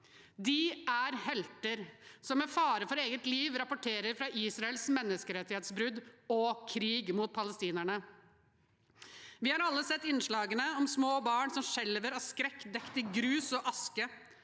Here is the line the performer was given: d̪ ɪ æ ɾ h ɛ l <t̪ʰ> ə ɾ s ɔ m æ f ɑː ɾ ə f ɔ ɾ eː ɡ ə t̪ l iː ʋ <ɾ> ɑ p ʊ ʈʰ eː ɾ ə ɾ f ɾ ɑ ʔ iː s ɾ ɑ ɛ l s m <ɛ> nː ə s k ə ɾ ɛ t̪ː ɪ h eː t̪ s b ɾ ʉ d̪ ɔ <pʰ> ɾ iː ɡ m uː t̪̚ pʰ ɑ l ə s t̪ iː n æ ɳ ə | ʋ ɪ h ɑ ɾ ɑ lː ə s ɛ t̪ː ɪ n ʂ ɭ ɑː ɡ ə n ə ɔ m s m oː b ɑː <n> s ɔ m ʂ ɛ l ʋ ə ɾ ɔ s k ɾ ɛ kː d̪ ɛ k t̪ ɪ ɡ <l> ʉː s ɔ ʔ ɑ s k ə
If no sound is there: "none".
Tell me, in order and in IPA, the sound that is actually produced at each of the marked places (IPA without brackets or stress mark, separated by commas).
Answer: t̪, ɾ, ɛ, kʰ, ɳ, ɾ